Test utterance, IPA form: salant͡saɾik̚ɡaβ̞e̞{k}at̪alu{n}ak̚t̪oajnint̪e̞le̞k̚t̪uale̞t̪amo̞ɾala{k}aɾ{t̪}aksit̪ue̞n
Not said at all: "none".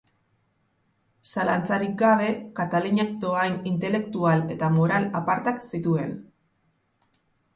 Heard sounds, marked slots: k, ɲ, p, t̪

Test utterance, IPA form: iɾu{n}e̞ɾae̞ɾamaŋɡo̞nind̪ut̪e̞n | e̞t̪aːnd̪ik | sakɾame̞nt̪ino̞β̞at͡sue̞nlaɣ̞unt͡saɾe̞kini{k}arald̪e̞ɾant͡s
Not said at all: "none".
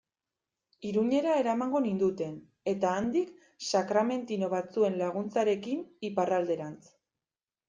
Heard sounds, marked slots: ɲ, p

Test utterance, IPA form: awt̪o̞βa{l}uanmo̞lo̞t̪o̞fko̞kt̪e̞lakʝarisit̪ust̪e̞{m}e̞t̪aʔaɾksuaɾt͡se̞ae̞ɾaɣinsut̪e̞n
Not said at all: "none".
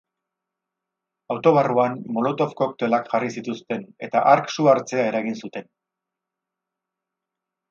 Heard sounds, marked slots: r, n

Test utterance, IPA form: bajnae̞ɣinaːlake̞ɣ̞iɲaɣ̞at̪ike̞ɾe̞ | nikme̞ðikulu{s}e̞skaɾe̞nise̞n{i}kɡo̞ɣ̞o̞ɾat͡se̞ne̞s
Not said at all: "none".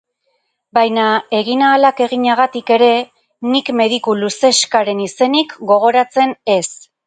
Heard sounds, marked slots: s, i

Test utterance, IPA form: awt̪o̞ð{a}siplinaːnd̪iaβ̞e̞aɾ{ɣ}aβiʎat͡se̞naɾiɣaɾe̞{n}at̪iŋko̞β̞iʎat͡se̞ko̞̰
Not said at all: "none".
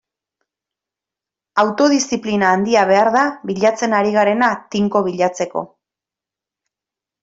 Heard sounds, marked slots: i, ð, n

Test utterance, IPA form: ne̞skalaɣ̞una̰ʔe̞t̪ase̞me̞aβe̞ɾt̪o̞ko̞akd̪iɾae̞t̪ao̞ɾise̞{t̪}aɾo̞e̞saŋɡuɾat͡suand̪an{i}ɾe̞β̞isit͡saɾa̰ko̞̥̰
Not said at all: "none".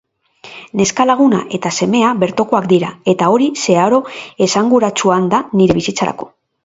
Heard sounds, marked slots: none, i

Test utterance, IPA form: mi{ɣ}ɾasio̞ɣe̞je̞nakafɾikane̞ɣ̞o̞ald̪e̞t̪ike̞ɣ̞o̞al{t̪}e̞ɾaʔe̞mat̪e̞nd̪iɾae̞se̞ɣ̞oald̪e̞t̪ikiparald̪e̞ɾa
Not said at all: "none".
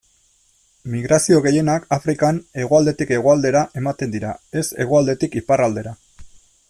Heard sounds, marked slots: ɣ, d̪

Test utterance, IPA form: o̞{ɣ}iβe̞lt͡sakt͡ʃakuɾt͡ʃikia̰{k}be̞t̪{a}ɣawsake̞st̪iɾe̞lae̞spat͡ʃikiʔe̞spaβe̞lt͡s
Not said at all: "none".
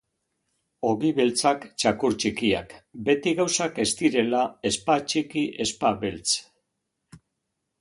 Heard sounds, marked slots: ɣ, k, i

